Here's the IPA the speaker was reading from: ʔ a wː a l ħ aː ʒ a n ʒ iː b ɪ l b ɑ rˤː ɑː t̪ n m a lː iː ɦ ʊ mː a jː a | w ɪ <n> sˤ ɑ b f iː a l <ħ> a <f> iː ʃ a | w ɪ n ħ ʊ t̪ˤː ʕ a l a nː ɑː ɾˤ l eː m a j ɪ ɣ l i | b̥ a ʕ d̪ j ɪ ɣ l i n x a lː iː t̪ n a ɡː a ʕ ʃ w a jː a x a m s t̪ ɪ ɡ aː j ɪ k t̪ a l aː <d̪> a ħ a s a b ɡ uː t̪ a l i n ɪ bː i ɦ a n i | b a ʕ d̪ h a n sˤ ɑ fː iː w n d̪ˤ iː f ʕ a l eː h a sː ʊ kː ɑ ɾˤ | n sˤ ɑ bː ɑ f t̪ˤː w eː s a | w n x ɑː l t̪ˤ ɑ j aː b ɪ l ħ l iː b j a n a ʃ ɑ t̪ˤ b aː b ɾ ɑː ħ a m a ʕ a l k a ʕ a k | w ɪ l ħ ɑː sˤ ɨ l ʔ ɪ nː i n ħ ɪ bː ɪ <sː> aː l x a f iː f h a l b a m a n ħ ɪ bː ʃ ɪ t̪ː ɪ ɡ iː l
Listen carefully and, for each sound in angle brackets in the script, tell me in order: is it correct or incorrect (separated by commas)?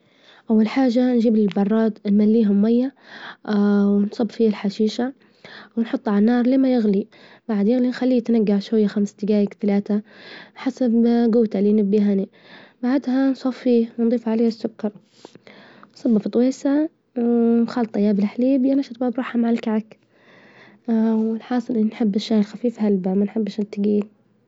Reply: correct, correct, incorrect, incorrect, incorrect